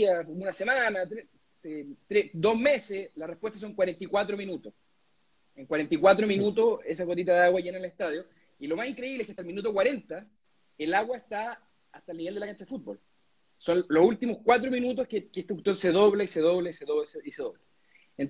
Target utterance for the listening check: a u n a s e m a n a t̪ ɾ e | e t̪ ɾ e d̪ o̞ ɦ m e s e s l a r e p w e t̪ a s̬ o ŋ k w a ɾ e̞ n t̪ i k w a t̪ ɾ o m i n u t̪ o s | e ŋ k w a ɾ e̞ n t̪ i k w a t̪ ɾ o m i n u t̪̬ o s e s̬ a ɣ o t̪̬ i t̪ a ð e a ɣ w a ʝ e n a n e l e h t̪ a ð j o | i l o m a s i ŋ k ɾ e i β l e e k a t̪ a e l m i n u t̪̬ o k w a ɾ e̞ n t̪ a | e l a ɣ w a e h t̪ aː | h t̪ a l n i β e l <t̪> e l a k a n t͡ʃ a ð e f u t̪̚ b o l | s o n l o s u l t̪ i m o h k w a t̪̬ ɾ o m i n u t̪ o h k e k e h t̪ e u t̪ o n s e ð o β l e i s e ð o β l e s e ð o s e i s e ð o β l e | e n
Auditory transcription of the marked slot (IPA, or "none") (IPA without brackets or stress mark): d̪